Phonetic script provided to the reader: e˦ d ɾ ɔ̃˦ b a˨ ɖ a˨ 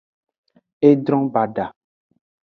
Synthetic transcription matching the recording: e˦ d ɾ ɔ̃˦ b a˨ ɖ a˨